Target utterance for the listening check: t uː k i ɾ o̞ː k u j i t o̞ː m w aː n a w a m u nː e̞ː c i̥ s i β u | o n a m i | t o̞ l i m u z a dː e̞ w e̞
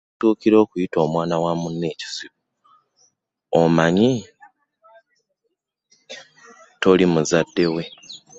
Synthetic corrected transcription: t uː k i ɾ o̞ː k u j i t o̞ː m w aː n a w a m u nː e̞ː c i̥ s i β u | o m a ɲ i | t o̞ l i m u z a dː e̞ w e̞